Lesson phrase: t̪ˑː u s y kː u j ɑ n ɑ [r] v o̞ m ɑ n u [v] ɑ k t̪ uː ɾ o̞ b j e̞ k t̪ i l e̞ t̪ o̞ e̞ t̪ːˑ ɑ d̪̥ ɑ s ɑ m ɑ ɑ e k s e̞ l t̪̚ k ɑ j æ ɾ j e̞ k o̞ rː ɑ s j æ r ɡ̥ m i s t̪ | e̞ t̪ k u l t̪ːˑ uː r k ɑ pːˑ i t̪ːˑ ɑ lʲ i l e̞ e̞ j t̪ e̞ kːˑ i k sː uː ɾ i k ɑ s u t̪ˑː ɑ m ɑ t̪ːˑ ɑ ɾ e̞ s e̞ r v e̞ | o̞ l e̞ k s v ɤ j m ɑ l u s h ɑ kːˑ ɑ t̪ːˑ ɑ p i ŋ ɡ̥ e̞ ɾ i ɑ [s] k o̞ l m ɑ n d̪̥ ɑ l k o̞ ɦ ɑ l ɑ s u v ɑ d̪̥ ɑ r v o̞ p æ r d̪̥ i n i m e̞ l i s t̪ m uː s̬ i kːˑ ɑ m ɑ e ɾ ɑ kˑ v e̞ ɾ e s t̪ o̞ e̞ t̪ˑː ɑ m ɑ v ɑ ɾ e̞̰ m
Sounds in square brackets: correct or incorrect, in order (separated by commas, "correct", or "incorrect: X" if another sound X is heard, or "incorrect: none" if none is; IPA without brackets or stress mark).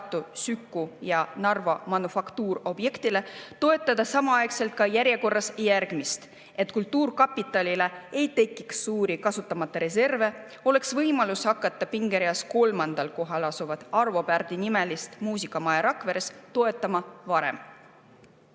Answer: correct, incorrect: f, correct